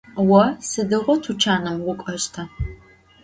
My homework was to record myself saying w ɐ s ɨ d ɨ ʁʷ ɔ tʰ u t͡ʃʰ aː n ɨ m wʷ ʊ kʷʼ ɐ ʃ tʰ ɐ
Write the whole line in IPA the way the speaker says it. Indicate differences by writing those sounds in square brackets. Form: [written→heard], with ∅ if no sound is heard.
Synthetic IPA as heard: w ɐ s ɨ d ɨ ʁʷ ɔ tʰ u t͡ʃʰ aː n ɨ m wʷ ʊ kʷʼ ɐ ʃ tʰ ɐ